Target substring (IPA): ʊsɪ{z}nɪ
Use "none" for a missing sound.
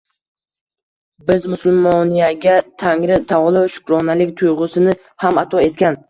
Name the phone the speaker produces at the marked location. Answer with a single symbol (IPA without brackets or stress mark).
none